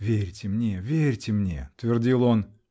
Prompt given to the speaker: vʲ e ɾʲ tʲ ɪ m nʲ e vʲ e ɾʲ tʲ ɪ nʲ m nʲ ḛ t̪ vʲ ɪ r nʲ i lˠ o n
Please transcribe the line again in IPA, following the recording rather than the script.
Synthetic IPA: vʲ e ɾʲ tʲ ɪ m nʲ e vʲ e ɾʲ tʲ ɪ m nʲ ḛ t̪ vʲ ɪ r dʲ i lˠ o n